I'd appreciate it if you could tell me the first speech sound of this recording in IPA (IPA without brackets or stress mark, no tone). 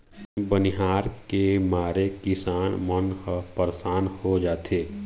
b